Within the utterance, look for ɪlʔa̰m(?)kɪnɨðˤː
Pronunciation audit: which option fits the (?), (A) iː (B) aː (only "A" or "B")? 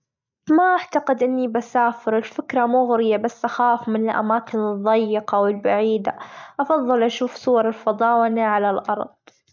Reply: B